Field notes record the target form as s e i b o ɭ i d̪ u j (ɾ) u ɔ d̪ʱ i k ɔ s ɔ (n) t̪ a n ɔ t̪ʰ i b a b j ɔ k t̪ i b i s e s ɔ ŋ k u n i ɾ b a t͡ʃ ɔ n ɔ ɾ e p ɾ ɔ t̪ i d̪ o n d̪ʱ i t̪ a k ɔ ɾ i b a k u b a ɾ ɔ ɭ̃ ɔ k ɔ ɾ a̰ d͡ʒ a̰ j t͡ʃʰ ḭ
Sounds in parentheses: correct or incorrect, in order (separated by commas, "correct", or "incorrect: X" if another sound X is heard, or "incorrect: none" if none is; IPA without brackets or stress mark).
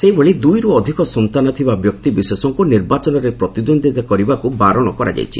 correct, correct